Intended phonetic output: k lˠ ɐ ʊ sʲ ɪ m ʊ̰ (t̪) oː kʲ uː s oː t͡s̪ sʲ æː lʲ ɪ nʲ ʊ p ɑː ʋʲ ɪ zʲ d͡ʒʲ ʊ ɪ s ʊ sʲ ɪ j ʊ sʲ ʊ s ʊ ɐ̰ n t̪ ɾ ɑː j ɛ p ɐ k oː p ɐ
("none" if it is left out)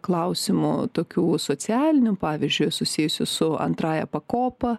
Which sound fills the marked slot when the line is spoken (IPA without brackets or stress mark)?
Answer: t̪